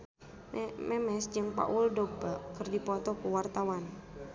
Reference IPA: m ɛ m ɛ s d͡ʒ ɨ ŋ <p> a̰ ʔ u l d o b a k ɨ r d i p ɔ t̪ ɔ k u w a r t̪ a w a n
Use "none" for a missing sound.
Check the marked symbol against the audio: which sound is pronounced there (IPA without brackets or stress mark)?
p